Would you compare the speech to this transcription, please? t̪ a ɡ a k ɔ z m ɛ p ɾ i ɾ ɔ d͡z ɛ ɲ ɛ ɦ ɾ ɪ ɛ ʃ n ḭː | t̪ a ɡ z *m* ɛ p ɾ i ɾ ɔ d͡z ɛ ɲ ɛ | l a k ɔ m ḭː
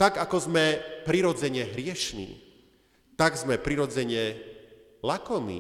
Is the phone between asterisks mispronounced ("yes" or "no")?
no